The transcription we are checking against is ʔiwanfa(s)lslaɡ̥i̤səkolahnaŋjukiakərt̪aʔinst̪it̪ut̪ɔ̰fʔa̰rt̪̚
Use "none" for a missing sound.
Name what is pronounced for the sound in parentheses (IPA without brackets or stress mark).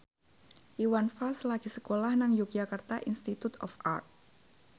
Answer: none